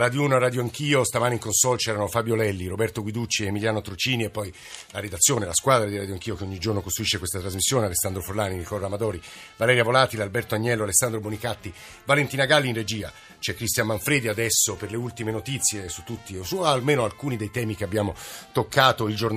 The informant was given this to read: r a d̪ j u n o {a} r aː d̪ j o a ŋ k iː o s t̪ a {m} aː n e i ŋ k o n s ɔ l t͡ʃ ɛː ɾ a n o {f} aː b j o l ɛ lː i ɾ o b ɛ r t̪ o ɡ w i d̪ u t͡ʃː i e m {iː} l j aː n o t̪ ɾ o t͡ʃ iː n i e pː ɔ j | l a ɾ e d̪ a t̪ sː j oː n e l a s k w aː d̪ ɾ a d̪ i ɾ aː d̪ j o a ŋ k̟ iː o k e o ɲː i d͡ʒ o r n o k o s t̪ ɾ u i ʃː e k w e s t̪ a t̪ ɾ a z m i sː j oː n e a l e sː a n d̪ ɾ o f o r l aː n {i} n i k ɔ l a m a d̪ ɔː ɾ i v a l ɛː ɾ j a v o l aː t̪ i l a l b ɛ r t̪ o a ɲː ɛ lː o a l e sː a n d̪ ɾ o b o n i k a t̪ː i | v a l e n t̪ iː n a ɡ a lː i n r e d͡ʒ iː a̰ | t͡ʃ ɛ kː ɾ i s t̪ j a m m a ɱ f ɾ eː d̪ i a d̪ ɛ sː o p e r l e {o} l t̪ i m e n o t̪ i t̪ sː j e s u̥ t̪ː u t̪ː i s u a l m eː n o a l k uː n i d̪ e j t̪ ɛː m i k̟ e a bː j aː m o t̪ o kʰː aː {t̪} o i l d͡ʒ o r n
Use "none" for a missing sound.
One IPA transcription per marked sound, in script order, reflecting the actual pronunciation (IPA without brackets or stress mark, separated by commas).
a, m, f, i, i, u, t̪